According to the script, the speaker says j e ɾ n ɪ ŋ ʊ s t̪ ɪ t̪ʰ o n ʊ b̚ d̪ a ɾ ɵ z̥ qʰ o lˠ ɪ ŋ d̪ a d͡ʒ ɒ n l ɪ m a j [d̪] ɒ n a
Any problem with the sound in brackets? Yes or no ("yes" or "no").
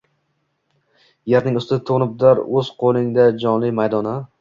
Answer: no